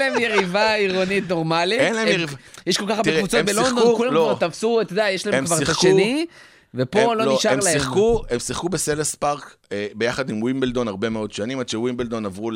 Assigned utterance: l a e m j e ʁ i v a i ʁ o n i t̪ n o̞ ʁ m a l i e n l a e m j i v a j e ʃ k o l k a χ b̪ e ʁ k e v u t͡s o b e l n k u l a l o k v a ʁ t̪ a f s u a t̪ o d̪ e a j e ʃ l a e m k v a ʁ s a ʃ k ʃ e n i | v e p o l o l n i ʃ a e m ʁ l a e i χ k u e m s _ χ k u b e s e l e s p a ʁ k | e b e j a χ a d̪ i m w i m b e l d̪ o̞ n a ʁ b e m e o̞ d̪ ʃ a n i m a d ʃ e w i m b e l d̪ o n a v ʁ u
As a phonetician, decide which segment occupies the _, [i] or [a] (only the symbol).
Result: i